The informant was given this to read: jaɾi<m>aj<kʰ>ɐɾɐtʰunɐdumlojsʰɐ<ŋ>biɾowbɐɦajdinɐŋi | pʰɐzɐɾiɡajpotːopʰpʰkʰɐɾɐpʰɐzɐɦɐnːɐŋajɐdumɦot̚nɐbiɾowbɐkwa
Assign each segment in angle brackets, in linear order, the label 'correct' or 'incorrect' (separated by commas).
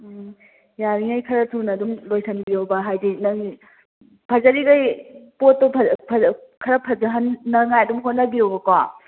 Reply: incorrect, correct, incorrect